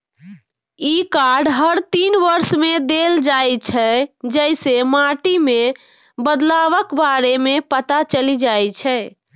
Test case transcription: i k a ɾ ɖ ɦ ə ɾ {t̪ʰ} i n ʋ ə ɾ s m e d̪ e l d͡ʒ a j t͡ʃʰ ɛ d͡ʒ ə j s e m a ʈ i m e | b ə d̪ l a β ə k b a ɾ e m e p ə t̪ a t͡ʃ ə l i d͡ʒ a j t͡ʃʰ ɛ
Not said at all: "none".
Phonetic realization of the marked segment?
t̪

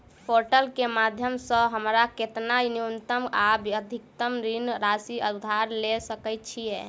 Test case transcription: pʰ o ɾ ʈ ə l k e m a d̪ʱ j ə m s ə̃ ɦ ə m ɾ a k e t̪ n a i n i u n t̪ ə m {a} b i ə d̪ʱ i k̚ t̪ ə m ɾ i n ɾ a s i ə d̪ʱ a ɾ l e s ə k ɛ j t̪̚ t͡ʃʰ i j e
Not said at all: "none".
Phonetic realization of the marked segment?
a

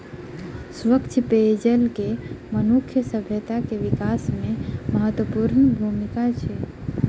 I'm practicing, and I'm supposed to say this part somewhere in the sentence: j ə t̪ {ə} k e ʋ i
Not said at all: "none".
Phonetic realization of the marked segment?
a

